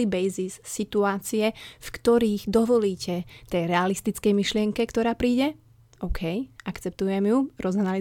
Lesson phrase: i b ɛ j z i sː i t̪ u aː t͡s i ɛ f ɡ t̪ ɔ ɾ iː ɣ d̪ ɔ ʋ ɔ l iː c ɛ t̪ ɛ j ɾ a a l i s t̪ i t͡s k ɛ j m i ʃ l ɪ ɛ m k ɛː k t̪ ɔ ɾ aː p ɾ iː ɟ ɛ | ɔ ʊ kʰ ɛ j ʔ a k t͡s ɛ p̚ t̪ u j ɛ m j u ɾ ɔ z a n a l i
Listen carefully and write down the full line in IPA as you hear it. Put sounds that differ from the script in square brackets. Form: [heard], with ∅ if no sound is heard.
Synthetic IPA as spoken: i b ɛ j z i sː i t̪ u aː t͡s i ɛ f [k] t̪ ɔ ɾ iː ɣ d̪ ɔ ʋ ɔ l iː c ɛ t̪ ɛ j ɾ [ɛ] a l i s t̪ i t͡s k ɛ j m i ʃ l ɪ ɛ [ŋ] k [ɛ] k t̪ ɔ ɾ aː p ɾ iː ɟ ɛ | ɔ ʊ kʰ ɛ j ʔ a k t͡s ɛ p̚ t̪ u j ɛ m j u ɾ ɔ z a n a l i